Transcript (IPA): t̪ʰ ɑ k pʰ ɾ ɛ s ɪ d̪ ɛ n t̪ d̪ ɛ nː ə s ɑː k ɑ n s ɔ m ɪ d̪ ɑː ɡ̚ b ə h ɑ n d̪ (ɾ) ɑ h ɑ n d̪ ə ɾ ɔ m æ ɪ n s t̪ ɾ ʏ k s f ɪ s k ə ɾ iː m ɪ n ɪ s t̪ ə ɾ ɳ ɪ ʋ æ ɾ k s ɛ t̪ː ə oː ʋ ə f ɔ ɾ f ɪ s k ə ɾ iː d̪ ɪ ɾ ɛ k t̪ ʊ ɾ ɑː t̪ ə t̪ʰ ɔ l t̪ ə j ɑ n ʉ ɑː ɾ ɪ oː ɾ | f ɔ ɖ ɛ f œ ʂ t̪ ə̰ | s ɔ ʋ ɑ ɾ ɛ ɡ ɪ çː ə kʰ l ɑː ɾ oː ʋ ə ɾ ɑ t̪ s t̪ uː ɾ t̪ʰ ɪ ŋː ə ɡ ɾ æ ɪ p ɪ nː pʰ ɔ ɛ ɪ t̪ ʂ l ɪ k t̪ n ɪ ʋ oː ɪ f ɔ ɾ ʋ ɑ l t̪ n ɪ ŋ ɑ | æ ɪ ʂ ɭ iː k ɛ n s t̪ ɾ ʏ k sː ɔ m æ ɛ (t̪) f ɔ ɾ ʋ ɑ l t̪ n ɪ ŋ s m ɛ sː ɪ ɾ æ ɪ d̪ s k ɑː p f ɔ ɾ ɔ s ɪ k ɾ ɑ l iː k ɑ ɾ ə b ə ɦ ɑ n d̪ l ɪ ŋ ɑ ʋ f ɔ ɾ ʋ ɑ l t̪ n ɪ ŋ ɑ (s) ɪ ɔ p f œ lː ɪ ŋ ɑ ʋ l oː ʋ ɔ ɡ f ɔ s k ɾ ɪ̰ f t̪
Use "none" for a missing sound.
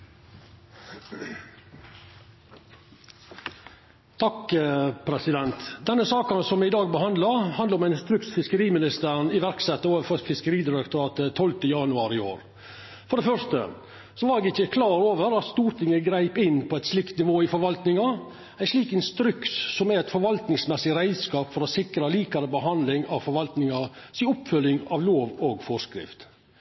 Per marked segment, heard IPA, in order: l, t̪, s

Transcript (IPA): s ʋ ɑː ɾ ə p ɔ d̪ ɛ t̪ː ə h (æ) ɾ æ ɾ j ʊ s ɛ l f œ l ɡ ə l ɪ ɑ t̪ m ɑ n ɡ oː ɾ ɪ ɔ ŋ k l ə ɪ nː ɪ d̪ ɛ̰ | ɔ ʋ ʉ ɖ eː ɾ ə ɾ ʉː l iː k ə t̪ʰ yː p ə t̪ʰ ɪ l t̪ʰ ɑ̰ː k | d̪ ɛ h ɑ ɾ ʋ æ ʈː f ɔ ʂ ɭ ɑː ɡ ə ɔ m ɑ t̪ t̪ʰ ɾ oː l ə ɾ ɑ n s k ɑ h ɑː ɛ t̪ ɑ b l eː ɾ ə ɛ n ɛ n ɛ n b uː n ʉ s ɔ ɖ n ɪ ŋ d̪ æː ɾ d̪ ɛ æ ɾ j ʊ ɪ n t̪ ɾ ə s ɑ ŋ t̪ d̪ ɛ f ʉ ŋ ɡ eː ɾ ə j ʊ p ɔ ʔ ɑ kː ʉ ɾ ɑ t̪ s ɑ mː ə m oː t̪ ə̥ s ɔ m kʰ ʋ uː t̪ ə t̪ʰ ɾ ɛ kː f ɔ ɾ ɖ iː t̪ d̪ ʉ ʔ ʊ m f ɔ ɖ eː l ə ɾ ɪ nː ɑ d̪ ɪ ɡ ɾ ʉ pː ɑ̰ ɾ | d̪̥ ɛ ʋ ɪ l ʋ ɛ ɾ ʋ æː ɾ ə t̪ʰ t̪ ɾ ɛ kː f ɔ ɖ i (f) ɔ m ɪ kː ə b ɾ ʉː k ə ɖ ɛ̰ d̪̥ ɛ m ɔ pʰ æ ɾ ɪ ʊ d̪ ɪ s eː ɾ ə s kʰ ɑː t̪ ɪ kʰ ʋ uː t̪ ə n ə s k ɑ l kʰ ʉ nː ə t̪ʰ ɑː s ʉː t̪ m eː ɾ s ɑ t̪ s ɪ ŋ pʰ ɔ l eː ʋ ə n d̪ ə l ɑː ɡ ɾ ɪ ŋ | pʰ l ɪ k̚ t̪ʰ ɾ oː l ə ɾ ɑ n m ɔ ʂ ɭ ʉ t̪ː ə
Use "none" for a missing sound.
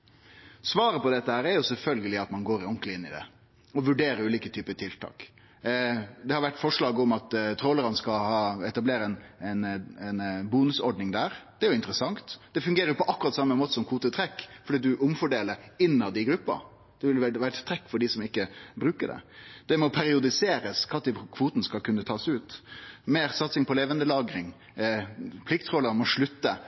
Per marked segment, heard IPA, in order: æː, s

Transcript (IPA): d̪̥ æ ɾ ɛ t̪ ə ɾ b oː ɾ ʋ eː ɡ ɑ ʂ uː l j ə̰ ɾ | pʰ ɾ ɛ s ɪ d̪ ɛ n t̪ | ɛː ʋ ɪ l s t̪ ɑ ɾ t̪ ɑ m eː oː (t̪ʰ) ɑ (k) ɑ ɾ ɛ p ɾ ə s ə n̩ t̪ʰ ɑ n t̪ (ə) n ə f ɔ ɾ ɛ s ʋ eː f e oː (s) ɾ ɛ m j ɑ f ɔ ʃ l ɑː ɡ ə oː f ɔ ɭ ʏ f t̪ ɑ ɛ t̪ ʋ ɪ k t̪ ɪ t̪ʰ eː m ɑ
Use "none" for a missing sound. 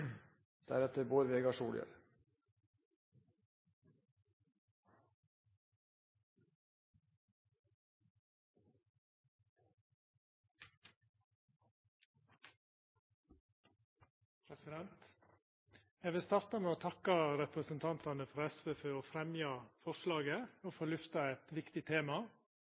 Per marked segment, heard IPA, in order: t̪ʰ, k, ɑ, f

